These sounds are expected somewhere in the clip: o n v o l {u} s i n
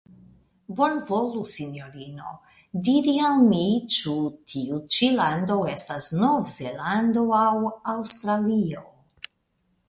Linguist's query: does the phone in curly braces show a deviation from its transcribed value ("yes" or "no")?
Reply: no